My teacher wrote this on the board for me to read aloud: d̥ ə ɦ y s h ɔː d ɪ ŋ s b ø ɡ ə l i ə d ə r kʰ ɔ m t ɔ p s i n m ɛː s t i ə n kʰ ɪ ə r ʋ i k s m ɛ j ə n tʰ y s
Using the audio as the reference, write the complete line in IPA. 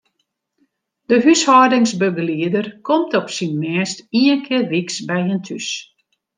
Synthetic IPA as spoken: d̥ ə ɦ y s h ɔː d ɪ ŋ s b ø ɡ ə l i ə d ə r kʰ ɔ m t ɔ p s i n m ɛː s t i ə n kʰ ɪ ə r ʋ i k s b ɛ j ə n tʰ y s